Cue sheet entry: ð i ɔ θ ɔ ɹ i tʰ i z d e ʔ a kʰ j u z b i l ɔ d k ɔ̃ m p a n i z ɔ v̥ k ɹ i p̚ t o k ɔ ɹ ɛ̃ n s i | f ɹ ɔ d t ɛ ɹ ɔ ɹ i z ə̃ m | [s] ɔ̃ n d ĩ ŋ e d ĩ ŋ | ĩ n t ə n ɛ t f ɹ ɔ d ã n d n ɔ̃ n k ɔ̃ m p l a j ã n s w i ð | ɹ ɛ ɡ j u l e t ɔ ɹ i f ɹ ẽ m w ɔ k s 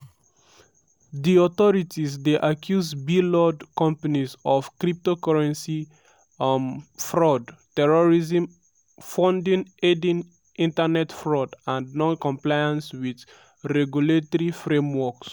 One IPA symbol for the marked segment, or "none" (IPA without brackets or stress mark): f